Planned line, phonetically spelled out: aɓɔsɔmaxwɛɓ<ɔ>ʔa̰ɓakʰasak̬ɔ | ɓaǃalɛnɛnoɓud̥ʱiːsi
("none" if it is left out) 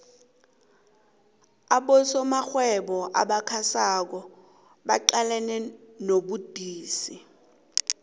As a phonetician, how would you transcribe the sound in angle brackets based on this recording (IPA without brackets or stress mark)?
ɔ